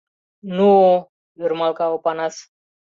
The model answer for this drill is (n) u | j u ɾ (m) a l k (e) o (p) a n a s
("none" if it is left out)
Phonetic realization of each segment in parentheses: n, m, a, p

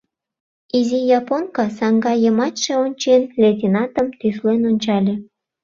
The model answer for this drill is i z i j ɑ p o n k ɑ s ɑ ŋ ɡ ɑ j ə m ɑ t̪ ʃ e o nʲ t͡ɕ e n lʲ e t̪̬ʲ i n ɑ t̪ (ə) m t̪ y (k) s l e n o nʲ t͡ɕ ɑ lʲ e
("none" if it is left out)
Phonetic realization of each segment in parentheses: ə, none

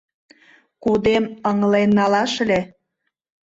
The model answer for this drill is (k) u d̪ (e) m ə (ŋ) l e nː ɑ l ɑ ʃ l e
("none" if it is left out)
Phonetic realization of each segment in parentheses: k, e, ŋ

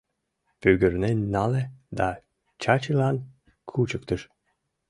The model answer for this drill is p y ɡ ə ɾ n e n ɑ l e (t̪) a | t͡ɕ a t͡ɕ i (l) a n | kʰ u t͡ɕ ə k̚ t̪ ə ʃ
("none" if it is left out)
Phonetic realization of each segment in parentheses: d̪, l

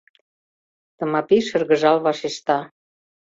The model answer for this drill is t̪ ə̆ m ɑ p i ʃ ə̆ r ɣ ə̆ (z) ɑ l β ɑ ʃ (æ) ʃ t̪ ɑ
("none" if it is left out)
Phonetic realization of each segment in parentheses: ʒ, e

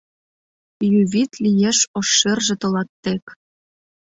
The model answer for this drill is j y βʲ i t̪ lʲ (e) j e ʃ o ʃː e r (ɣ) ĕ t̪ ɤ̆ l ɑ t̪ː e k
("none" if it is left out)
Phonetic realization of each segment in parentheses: i, ʒ

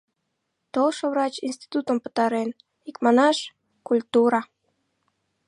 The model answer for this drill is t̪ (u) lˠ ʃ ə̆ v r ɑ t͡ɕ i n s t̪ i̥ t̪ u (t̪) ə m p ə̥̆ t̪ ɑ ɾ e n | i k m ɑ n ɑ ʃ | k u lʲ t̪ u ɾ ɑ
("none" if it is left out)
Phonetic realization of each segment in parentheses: o, t̪

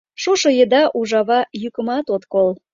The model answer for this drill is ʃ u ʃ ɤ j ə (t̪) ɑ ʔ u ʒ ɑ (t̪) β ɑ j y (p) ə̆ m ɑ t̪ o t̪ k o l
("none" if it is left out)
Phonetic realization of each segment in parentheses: d̪, none, k

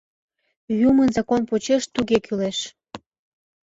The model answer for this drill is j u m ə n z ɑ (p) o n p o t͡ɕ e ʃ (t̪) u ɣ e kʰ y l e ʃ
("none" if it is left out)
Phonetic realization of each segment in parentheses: k, t̪

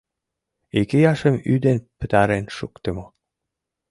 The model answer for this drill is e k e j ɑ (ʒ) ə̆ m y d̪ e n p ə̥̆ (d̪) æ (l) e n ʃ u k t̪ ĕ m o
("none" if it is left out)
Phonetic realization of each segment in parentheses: ʃ, t̪, ɾ

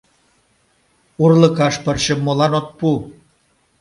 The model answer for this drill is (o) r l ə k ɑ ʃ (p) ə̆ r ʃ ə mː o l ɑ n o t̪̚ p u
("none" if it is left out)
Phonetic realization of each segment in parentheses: u, p

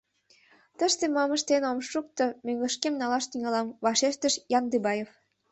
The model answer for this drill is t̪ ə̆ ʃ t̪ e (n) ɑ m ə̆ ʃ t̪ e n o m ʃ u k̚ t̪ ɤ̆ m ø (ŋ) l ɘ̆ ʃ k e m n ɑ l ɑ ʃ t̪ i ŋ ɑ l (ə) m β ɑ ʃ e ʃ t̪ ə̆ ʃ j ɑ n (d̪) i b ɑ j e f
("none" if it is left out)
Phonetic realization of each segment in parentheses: m, ŋ, ɑ, d̪

